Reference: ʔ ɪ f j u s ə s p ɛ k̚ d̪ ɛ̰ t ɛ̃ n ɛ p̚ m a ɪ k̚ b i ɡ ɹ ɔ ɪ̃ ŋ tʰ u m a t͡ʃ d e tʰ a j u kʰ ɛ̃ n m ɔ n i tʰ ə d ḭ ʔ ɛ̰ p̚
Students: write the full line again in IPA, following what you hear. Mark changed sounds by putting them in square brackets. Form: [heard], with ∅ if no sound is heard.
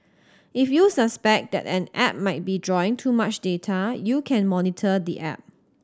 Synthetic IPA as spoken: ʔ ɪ f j u s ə s p ɛ k̚ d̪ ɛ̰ t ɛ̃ n ɛ p̚ m a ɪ [t̚] b i [d] ɹ ɔ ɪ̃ ŋ tʰ u m a t͡ʃ d e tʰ a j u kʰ ɛ̃ n m ɔ n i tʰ ə d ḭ ʔ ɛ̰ p̚